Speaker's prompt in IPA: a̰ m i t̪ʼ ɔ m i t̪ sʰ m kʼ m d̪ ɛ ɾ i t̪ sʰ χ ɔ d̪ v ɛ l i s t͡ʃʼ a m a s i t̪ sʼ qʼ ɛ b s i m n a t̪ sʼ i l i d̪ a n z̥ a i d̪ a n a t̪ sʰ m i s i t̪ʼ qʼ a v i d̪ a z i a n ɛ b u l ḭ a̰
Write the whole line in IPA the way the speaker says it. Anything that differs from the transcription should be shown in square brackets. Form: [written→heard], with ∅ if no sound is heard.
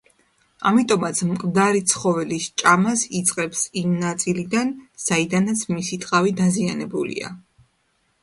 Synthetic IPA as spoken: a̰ m i t̪ʼ ɔ m [i→a] t̪ sʰ m kʼ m d̪ [ɛ→a] ɾ i t̪ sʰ χ ɔ [d̪→∅] v ɛ l i s t͡ʃʼ a m a s i t̪ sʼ qʼ ɛ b s i m n a t̪ sʼ i l i d̪ a n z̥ a i d̪ a n a t̪ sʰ m i s i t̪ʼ qʼ a v i d̪ a z i a n ɛ b u l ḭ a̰